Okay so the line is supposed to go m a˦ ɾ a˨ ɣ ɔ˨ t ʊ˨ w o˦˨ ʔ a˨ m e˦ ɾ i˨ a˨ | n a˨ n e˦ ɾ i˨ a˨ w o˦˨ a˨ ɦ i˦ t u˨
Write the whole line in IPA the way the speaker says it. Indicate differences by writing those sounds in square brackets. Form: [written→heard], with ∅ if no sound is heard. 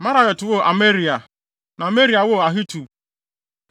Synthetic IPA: m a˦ ɾ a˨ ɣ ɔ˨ t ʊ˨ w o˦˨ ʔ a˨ m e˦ ɾ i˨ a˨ | n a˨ [n→m] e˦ ɾ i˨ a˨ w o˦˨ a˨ ɦ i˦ t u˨

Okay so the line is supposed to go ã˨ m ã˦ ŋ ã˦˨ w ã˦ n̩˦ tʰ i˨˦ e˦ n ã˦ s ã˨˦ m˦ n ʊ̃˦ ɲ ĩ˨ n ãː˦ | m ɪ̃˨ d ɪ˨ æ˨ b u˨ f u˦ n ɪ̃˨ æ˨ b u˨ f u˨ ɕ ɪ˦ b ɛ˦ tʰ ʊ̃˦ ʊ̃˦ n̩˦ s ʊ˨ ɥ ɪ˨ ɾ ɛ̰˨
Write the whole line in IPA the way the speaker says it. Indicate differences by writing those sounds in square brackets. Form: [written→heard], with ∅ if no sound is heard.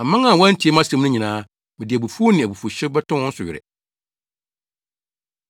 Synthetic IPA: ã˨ m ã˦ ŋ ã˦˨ w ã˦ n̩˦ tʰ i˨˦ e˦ [n→m] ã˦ s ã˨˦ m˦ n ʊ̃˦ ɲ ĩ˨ n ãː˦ | m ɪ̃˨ d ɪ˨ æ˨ b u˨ f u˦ n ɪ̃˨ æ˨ b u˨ f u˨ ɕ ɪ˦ b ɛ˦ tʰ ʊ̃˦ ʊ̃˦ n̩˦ s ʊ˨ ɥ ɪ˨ ɾ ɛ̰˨

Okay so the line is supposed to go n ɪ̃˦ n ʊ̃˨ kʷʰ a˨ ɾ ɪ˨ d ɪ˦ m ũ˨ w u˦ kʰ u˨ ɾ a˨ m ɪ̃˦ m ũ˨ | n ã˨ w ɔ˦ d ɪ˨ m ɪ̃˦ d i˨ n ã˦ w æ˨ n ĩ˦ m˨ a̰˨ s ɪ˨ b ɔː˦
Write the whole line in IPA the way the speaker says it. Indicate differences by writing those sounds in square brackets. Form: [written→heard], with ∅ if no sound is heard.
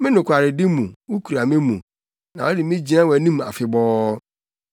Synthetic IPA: [n→m] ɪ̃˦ n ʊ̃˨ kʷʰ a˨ ɾ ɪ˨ d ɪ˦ m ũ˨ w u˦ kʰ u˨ ɾ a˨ m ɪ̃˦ m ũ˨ | n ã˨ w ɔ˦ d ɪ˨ m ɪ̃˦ [d→d͡ʑ] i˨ n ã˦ w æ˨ n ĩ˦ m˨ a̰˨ [s→f] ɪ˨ b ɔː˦

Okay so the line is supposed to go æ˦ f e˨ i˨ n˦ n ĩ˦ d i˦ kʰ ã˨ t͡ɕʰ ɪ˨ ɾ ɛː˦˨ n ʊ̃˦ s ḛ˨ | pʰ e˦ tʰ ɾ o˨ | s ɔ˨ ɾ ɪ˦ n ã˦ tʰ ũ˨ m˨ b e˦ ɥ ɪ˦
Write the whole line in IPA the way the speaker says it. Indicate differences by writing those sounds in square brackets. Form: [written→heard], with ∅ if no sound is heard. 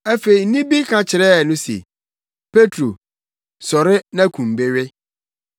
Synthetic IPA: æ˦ f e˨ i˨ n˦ n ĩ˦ [d→b] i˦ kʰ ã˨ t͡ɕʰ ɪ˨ ɾ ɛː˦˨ n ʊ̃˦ s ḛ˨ | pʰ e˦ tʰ ɾ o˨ | s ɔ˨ ɾ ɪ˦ n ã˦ [tʰ→kʰ] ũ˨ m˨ b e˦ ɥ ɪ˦

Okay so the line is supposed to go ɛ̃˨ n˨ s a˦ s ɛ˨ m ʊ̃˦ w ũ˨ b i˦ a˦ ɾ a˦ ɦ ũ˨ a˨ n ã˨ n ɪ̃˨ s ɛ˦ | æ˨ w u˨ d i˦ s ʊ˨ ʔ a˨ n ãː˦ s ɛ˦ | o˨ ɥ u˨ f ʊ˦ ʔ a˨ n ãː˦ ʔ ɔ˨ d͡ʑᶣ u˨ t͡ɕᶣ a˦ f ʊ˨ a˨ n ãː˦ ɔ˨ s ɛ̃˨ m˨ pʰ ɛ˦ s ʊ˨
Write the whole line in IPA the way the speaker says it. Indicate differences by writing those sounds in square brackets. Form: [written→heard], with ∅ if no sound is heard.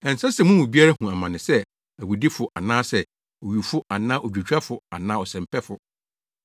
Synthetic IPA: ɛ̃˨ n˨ s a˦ s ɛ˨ m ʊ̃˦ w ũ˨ b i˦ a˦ ɾ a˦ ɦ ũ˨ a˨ [n→m] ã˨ n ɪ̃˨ s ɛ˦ | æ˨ w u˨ d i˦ [s→f] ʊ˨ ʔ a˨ n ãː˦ s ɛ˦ | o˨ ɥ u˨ f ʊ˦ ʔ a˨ n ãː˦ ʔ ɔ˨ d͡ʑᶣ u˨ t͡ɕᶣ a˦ f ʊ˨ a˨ n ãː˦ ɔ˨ s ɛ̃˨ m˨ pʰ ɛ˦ [s→f] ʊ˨

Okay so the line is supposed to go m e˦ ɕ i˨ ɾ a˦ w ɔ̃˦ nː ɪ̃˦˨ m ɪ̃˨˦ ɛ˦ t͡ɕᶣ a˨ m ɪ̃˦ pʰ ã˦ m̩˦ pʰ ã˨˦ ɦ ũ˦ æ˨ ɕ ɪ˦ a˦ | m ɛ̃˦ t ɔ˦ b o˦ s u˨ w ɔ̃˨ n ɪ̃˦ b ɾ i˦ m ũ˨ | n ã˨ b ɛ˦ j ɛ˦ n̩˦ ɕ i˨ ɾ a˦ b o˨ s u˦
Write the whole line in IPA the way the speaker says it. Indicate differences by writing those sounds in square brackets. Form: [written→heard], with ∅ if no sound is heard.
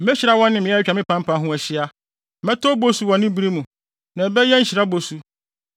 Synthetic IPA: m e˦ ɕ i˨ ɾ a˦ w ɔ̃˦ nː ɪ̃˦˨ m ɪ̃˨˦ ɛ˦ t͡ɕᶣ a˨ m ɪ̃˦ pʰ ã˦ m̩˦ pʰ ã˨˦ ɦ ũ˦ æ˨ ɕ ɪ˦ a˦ | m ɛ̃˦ t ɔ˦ b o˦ s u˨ w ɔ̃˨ n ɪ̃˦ b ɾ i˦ m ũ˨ | n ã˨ b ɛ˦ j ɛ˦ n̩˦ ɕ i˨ ɾ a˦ b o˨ s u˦

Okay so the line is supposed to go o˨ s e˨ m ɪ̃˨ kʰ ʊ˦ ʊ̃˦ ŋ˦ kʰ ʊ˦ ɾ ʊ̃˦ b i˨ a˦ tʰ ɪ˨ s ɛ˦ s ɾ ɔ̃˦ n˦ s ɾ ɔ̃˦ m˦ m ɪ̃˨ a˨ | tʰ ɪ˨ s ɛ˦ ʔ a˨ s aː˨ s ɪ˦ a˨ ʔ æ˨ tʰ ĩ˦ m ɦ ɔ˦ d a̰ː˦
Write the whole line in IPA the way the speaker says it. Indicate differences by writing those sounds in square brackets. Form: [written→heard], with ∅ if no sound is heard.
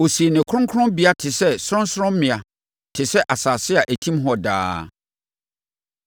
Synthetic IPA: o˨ s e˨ [m→n] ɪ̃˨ kʰ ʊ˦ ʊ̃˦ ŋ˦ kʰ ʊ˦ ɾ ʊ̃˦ b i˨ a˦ tʰ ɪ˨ s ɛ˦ s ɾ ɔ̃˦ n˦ s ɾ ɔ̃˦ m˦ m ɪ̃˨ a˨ | tʰ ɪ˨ s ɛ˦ ʔ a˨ s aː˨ s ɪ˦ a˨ ʔ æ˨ tʰ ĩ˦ m ɦ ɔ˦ d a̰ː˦

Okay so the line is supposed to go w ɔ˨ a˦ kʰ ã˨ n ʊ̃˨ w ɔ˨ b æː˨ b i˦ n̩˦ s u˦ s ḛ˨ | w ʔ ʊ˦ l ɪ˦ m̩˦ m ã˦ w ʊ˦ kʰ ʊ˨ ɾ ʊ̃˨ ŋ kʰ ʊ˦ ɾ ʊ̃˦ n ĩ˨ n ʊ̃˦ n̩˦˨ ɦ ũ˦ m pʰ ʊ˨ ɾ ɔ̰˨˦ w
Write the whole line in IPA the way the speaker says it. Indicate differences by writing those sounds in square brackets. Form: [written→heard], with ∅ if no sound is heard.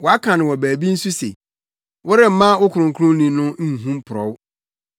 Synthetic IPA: w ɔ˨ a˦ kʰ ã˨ n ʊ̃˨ w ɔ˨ b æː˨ b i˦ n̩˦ s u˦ s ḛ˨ | w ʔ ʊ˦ [l→ɾ] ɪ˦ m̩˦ m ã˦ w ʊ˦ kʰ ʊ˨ ɾ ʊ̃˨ ŋ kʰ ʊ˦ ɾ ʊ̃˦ n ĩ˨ n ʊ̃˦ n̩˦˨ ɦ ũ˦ m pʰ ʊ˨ ɾ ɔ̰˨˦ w

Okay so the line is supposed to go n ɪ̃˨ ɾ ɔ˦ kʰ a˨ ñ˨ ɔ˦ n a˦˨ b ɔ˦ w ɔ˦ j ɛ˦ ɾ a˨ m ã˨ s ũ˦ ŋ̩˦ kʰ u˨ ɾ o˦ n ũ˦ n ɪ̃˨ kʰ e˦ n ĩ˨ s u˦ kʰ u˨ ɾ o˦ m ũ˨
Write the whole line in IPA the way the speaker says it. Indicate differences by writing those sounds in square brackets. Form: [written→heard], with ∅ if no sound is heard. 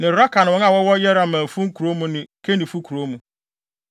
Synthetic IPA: n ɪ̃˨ ɾ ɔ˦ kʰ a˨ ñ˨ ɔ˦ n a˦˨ [b→w] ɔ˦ w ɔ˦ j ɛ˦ ɾ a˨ m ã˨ [s→f] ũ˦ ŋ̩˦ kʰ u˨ ɾ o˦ [n→m] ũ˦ n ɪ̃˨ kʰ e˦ n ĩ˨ [s→f] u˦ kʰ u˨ ɾ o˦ m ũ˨

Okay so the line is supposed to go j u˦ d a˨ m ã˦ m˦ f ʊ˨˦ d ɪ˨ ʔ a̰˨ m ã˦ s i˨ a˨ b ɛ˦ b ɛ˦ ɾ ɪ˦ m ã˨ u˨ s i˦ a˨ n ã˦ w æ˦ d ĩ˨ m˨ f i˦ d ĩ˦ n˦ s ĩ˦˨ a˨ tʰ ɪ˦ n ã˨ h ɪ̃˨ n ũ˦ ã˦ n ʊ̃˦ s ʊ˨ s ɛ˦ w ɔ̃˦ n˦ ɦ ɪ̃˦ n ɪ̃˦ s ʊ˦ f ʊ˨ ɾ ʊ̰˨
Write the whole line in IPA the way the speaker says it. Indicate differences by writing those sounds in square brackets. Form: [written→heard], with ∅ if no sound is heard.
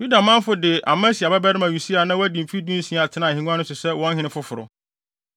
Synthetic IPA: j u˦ d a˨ m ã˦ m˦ f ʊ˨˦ d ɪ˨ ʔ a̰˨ m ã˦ s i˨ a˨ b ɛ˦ b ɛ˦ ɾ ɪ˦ m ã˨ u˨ s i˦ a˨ n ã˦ w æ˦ d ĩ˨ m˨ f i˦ d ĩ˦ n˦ s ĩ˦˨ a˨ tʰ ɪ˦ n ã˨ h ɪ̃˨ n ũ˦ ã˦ n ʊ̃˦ s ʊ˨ s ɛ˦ w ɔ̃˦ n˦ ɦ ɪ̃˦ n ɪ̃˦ [s→f] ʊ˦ f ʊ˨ ɾ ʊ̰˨

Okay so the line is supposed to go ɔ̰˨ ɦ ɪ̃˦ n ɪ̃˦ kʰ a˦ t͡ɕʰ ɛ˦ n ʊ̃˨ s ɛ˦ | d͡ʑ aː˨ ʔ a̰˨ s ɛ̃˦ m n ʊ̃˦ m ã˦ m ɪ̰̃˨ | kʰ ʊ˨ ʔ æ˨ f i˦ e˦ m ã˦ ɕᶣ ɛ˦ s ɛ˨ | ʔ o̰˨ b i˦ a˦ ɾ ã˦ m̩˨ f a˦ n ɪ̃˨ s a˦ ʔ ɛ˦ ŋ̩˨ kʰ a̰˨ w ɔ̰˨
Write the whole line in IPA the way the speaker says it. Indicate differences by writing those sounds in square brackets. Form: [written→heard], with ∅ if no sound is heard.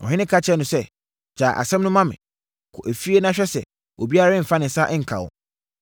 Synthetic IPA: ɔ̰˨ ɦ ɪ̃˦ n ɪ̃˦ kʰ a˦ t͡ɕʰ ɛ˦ n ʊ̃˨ s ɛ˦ | d͡ʑ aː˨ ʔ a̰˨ s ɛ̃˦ m n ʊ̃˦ m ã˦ m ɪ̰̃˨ | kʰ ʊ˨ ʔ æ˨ f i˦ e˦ [m→n] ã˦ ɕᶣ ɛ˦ s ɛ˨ | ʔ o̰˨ b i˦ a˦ ɾ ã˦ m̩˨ f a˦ n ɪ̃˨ s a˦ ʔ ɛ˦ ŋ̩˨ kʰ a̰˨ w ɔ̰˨

